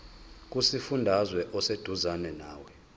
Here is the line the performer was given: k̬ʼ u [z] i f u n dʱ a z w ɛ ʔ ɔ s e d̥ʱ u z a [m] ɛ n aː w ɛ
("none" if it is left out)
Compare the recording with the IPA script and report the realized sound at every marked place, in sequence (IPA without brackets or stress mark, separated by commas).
s, n